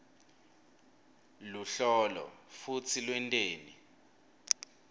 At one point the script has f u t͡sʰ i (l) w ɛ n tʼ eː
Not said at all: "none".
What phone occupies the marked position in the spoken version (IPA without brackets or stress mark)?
l